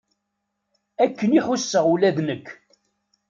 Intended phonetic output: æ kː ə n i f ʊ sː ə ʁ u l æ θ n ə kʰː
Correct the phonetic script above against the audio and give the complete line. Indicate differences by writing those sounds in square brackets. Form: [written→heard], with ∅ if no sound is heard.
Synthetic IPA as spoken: æ kː ə n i [f→ħ] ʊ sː ə ʁ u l æ [θ→ð] n ə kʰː